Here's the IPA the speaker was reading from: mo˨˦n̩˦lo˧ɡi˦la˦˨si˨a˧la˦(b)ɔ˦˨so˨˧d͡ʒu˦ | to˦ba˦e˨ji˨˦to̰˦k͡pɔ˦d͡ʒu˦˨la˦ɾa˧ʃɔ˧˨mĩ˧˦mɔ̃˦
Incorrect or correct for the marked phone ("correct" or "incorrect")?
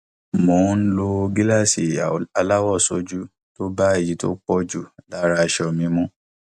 incorrect